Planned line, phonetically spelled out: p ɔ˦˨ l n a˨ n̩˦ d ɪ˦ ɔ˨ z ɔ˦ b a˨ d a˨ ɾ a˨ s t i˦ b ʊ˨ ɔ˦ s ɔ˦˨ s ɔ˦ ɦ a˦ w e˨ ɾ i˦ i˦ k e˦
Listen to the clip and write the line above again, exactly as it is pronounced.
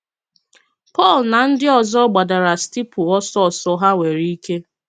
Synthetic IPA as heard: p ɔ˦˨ l n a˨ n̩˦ d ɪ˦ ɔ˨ z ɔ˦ ɡ͡b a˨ d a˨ ɾ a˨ s t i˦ p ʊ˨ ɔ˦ s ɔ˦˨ s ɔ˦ ɦ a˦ w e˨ ɾ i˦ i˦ k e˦